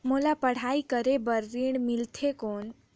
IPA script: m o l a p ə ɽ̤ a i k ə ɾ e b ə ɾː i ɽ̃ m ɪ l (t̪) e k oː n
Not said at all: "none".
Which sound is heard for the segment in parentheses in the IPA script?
t̪ʰ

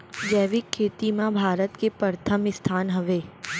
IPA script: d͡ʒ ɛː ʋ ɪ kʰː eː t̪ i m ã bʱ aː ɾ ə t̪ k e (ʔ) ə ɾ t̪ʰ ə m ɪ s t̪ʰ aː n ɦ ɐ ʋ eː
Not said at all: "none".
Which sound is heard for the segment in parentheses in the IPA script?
p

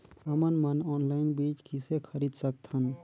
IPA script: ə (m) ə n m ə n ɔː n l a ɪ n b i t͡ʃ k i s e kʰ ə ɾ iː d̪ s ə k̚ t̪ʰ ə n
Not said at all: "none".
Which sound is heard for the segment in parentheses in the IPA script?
m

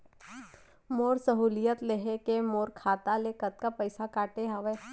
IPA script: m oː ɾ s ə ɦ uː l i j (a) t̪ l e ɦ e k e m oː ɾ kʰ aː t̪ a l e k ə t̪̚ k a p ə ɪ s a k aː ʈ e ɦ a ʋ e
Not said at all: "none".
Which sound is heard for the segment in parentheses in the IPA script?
ə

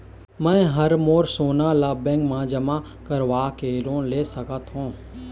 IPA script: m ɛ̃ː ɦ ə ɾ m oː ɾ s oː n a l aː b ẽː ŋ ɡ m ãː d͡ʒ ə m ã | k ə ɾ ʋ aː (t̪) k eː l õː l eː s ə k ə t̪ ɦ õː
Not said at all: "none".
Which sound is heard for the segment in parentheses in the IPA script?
none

